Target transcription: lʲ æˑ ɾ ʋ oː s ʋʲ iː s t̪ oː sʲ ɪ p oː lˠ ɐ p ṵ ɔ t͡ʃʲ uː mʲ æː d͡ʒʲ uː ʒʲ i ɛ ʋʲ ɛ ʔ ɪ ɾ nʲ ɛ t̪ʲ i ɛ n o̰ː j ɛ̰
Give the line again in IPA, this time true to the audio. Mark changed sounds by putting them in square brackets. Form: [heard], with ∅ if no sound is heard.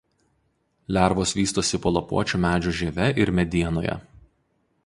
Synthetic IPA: lʲ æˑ ɾ ʋ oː s ʋʲ iː s t̪ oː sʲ ɪ p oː lˠ ɐ p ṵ ɔ t͡ʃʲ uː mʲ æː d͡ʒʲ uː ʒʲ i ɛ ʋʲ ɛ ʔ ɪ ɾ [mʲ] ɛ [d̪ʲ] i ɛ n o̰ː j ɛ̰